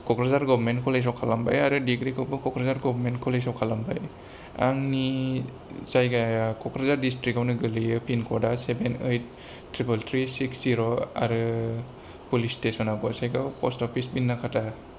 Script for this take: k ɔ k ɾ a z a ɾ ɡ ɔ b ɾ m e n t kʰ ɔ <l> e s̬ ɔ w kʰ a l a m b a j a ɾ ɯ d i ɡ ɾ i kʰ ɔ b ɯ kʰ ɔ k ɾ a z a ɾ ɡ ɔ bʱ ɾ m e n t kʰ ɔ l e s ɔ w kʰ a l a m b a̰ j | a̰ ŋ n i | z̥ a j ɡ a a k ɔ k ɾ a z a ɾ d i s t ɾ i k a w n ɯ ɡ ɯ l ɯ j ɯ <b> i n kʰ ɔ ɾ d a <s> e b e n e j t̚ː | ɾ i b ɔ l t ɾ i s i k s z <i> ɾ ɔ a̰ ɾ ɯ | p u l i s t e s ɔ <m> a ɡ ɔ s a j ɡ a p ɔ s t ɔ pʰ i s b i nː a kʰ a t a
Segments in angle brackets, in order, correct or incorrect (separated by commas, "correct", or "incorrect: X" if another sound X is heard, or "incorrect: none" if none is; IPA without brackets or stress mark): correct, incorrect: p, correct, correct, incorrect: n